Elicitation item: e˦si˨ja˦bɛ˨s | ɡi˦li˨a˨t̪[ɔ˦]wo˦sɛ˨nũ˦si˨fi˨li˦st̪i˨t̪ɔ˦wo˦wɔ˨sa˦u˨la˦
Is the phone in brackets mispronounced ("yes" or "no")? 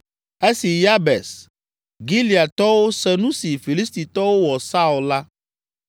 no